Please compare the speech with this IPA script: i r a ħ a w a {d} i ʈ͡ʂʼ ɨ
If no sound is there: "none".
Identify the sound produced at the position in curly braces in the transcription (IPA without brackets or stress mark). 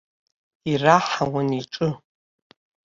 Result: n